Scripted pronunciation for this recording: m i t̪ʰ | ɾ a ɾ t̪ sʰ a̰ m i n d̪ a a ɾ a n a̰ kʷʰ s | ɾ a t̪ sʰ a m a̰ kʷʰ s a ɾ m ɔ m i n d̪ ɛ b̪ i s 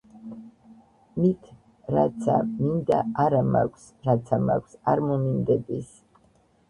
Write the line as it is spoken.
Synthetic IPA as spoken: m i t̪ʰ | ɾ a t̪ sʰ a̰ m i n d̪ a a ɾ a m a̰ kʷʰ s | ɾ a t̪ sʰ a m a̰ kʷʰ s a ɾ m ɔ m i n d̪ ɛ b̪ i s